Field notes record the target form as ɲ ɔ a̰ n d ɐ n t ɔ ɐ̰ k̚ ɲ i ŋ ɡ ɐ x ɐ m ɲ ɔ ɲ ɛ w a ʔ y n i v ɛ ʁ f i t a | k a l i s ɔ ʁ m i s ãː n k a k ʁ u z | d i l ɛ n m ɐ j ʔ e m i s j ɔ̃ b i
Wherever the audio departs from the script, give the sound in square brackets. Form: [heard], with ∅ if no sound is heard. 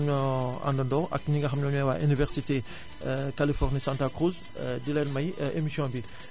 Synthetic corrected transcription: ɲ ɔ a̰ n d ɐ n [d] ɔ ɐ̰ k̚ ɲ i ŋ ɡ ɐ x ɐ m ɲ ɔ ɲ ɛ w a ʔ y n i v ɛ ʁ [s] i t [e] | k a l i [f] ɔ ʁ [n] i s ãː n [t] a k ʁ u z | d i l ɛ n m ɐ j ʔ e m i s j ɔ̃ b i